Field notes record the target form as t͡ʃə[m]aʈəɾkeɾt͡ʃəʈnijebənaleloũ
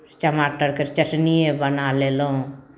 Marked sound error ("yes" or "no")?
no